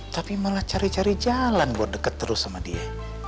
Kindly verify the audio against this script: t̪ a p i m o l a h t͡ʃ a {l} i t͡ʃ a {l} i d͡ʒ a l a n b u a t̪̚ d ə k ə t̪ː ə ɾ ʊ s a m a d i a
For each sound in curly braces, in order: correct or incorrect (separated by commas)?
incorrect, incorrect